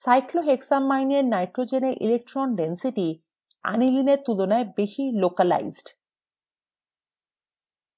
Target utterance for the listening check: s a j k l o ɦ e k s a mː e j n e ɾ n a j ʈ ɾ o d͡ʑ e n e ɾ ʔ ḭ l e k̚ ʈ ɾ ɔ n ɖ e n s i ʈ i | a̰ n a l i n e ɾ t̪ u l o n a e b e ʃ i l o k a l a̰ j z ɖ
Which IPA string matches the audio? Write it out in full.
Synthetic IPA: s a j k l o ɦ e k s a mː a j n e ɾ n a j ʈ ɾ o d͡ʑ e n e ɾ ʔ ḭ l e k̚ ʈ ɾ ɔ n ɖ e n s i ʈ i | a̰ n i l i n e ɾ t̪ u l o n a e b e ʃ i l o k a l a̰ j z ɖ

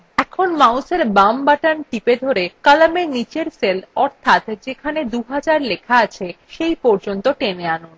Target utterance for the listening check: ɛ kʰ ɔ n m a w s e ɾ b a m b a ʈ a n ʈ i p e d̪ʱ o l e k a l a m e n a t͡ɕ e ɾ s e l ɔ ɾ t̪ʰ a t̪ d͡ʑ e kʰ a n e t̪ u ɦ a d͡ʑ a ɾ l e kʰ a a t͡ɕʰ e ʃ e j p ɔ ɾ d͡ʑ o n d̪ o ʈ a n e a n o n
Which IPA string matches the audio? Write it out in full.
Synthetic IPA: ɛ kʰ o n m a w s e ɾ b a m b a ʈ a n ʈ i p e d̪ʱ o ɾ e k a l a m e n i t͡ɕ e ɾ s e l ɔ ɾ t̪ʰ a t̪ d͡ʑ e kʰ a n e d̪ u ɦ a d͡ʑ a ɾ l e kʰ a a t͡ɕʰ e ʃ e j p ɔ ɾ d͡ʑ o n t̪ o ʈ e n e a n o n

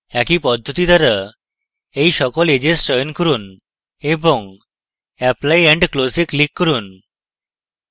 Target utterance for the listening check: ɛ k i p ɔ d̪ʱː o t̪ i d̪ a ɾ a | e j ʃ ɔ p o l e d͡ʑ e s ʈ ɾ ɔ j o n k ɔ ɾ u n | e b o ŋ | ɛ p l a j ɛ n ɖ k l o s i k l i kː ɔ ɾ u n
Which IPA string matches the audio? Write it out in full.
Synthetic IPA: ɛ k i p ɔ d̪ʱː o t̪ i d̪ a ɾ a | e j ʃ ɔ k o l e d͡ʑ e s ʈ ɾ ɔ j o n k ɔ ɾ u n | e b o ŋ | ɛ p l a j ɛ ɳ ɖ k l o s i k l i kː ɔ ɾ u n

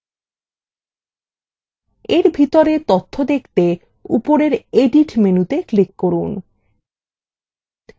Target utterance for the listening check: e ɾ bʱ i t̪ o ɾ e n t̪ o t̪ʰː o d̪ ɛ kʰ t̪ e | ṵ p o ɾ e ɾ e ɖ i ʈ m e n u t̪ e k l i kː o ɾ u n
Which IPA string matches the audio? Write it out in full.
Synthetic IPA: e ɾ bʱ i t̪ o ɾ e t̪ o t̪ʰː o d̪ e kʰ t̪ e | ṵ p o ɾ e ɾ e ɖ i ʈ m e n u t̪ e k l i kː o ɾ u n

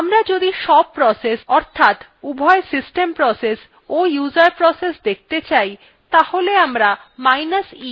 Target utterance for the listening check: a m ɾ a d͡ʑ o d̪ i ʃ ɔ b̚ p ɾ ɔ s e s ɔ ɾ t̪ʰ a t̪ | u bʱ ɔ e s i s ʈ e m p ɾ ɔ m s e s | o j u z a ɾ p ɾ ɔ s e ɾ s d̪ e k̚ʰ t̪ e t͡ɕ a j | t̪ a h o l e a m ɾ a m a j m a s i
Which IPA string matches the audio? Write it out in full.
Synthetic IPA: a m ɾ a d͡ʑ o d̪ i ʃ ɔ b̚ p ɾ ɔ s e s ɔ ɾ t̪ʰ a t̪ | u bʱ ɔ e s i s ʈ e m p ɾ ɔ s e s | o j u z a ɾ p ɾ ɔ s e s d̪ e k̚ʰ t̪ e t͡ɕ a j | t̪ a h o l e a m ɾ a m a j n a s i

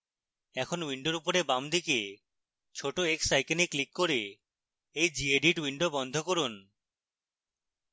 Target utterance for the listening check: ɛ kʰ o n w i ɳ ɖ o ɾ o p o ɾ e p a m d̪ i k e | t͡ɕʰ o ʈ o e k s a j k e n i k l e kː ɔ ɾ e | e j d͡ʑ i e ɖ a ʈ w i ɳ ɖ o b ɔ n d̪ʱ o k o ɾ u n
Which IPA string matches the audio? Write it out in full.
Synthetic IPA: ɛ kʰ o n w i ɳ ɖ o ɾ u p o ɾ e b a m d̪ i k e | t͡ɕʰ o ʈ o e k s a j k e n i k l i kː o ɾ e | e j d͡ʑ i e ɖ i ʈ w i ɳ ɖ o b ɔ n d̪ʱ o k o ɾ u n

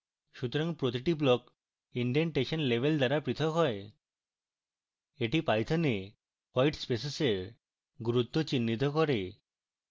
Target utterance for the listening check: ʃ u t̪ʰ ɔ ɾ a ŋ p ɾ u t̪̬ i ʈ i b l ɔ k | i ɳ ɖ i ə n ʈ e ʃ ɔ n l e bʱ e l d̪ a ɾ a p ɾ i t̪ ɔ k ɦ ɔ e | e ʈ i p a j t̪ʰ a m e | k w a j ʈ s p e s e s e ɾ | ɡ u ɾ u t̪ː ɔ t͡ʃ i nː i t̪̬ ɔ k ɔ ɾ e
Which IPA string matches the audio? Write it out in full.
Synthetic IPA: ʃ u t̪ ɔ ɾ a ŋ p ɾ o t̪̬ i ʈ i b l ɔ k | i ɳ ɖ i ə n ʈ e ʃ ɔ n l e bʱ e l d̪ a ɾ a p ɾ i t̪ʰ ɔ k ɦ ɔ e | e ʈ i p a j t̪ʰ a n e | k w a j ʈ s p e s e s e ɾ | ɡ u ɾ u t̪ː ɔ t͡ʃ i nː i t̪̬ ɔ k ɔ ɾ e

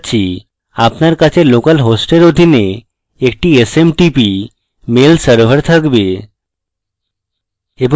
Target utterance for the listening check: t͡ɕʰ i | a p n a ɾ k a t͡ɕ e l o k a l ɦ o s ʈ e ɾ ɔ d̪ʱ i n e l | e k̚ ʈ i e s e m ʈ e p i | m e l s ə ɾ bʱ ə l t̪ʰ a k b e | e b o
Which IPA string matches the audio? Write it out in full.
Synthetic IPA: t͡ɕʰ i | a p n a ɾ k a t͡ɕʰ e l o k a l ɦ o s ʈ e ɾ o d̪ʱ i n e | e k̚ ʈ i e s e m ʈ i p i | m e l s ə ɾ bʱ ə ɾ t̪ʰ a k b e | e b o

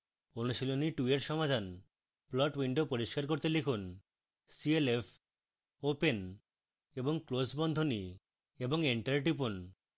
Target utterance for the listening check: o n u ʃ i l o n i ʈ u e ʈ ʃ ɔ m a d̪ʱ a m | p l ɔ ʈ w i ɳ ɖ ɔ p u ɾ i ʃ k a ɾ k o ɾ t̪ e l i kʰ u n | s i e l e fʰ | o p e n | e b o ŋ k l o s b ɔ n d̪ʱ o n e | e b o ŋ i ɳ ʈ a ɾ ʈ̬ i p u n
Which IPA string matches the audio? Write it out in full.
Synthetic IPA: o n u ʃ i l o n i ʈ u e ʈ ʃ ɔ m a d̪ʱ a n | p l ɔ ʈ w i ɳ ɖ o p o ɾ i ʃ k a ɾ k o ɾ t̪ e l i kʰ u n | s i e l e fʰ | o p e n | e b o ŋ k l o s b ɔ n d̪ʱ o n i | e b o ŋ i ɳ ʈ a ɾ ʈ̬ i p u n

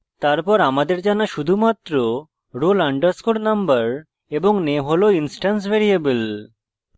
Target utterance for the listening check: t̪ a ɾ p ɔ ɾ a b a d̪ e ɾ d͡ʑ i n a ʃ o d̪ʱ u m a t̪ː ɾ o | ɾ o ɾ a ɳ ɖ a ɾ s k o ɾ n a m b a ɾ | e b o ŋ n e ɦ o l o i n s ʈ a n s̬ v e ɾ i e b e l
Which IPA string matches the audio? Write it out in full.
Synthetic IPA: t̪ a ɾ p ɔ ɾ a m a d̪ e ɾ d͡ʑ a n a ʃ u d̪ʱ u m a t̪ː ɾ o | ɾ o l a ɳ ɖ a ɾ s k o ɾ n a m b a ɾ | e b o ŋ n e ɦ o l o i n s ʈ a n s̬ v e ɾ i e b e l

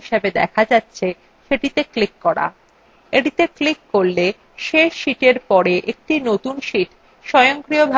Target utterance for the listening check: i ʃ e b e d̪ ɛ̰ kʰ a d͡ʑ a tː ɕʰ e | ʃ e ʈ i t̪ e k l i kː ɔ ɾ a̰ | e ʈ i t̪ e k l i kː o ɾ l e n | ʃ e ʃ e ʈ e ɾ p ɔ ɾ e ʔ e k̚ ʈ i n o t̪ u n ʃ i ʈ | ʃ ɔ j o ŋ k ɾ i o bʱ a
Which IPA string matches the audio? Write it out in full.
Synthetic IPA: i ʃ e b e d̪ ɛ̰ kʰ a d͡ʑ a tː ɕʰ e | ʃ e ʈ i t̪ e k l i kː ɔ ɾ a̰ | e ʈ i t̪ e k l i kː o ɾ l e | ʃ e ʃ i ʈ e ɾ p ɔ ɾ e ʔ e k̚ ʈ i n o t̪ u n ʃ i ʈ | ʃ ɔ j o ŋ k ɾ i o bʱ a

